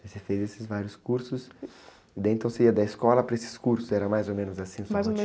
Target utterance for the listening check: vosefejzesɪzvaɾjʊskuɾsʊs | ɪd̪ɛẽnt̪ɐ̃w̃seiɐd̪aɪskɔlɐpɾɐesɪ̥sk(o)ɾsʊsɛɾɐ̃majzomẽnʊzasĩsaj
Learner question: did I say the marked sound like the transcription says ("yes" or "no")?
no